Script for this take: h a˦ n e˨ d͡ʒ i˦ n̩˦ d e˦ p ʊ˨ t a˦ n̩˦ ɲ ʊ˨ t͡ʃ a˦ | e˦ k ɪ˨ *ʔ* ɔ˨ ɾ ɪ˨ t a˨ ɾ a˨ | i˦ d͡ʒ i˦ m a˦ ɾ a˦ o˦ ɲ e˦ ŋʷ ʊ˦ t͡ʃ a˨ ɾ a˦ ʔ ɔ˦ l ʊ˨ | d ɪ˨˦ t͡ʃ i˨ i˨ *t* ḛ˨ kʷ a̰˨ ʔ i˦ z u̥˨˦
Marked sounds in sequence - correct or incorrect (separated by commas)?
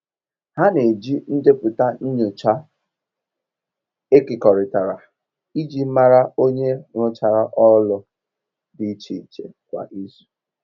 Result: incorrect, incorrect